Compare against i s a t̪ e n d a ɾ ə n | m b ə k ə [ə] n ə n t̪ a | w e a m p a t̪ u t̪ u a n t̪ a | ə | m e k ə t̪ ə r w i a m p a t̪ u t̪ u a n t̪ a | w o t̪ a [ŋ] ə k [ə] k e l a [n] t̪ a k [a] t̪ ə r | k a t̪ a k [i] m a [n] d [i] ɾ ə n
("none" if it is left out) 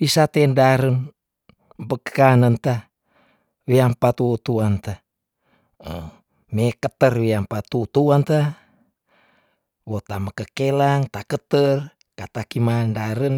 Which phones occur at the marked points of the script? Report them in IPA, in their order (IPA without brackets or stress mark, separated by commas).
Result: a, m, ə, ŋ, ə, i, n, a